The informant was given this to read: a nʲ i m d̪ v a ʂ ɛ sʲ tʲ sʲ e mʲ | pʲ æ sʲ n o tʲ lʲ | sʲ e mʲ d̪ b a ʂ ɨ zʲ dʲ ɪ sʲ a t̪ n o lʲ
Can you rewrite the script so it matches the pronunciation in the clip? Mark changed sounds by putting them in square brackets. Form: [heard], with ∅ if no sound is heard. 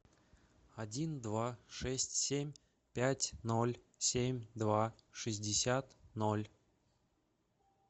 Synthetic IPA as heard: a [dʲ] i [n] d̪ v a ʂ ɛ sʲ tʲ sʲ e mʲ | pʲ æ [tʲ] n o [∅] lʲ | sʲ e mʲ d̪ [v] a ʂ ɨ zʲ dʲ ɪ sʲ a t̪ n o lʲ

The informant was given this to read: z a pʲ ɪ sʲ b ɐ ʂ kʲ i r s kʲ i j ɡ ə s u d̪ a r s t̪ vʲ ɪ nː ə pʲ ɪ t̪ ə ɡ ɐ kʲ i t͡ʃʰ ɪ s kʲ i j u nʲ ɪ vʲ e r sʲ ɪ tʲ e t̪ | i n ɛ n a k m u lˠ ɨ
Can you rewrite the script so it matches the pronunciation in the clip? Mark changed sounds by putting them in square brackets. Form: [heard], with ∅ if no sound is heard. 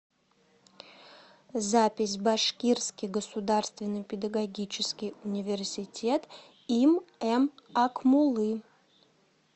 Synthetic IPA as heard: z a pʲ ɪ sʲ b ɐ ʂ kʲ i r s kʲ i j ɡ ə s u d̪ a r s t̪ vʲ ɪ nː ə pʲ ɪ [d̪] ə ɡ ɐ [ɡʲ] i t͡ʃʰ ɪ s kʲ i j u nʲ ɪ vʲ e r sʲ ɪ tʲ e t̪ | i [m] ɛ [m] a k m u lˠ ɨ

